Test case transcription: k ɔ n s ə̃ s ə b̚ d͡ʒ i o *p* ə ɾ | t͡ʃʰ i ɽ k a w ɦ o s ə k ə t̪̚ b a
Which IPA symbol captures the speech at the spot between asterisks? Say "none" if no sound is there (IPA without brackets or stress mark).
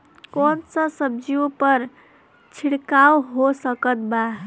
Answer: p